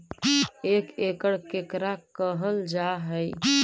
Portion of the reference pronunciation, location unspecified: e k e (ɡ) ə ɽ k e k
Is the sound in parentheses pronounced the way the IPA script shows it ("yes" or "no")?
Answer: no